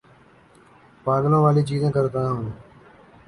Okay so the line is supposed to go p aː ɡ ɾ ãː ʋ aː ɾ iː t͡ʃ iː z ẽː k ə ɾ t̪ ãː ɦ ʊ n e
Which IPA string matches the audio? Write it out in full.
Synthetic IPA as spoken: p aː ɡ l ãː ʋ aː l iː t͡ʃ iː z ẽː k ə ɾ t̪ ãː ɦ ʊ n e